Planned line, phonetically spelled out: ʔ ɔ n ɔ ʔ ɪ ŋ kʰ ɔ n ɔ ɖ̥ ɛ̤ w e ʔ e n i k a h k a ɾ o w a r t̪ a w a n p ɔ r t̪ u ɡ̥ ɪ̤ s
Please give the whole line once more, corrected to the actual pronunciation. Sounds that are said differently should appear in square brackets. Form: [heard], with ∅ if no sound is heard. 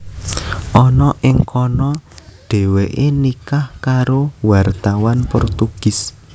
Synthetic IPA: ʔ ɔ n ɔ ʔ ɪ ŋ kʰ ɔ n ɔ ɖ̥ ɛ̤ w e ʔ e n i k a h k a ɾ o w a r t̪ a w a n p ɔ r t̪ u ɡ̥ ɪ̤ s